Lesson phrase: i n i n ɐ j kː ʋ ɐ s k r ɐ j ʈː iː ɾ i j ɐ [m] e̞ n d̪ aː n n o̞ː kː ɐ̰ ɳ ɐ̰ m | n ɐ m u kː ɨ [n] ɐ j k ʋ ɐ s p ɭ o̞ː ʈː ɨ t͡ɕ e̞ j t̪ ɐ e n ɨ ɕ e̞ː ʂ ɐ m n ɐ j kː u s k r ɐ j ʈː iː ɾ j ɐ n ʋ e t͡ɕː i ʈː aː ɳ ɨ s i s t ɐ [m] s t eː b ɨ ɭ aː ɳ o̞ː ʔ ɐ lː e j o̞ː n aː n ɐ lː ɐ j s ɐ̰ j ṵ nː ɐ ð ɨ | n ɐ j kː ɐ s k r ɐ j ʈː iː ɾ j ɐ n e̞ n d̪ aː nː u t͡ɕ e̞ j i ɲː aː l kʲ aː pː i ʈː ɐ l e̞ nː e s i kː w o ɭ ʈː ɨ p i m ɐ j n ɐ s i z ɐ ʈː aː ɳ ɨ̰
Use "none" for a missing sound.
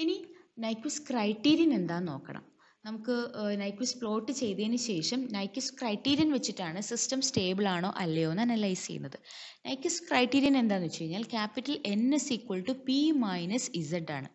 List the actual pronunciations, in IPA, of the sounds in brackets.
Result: n, n, m

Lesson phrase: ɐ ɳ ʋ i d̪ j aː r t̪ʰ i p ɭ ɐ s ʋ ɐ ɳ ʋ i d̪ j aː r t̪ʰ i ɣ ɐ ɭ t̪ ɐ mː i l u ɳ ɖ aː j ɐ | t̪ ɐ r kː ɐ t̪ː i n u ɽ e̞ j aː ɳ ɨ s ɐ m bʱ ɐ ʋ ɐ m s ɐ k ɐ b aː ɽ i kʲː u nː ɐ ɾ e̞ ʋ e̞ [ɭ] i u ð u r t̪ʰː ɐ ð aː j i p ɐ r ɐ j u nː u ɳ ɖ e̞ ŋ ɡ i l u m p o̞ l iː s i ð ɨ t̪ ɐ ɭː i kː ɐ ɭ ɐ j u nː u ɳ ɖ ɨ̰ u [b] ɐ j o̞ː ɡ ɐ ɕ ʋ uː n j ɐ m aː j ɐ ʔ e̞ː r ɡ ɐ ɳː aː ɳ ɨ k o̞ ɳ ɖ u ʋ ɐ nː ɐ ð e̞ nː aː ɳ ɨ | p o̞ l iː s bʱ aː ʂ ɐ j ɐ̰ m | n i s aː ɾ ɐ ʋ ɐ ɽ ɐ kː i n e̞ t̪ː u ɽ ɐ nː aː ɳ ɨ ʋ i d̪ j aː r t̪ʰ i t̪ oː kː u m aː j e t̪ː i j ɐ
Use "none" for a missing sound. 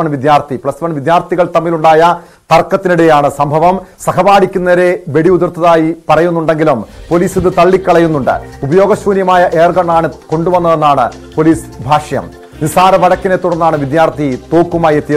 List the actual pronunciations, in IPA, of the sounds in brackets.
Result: ɽ, b

